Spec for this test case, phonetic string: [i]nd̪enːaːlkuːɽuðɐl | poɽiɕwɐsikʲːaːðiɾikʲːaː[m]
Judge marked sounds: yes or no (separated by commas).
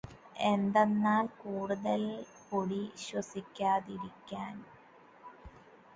no, no